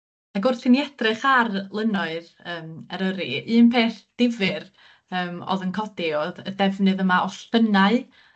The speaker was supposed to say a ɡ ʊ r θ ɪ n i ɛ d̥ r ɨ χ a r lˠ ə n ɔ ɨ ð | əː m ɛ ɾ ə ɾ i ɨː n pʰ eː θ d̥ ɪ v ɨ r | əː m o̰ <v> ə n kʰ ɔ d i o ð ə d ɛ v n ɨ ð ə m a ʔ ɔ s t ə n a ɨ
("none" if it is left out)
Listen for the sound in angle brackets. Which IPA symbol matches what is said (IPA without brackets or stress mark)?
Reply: ð